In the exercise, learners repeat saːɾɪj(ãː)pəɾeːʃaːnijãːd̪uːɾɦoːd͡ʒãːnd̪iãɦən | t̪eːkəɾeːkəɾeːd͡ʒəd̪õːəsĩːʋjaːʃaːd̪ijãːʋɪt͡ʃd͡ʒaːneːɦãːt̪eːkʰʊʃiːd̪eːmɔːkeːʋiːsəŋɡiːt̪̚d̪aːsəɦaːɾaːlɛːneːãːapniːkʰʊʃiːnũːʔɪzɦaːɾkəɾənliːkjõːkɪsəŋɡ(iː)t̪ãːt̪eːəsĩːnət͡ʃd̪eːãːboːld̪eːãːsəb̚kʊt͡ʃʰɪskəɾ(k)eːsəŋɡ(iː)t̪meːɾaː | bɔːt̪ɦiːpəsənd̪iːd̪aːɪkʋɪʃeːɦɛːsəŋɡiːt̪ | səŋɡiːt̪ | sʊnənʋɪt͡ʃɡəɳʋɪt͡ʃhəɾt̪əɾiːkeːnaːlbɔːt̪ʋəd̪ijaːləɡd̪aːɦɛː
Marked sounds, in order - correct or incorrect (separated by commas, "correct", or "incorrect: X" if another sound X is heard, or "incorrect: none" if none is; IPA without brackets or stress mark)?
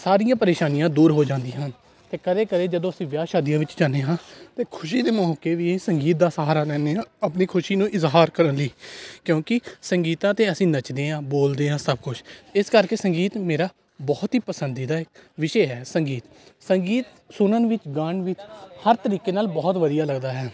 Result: correct, correct, correct, correct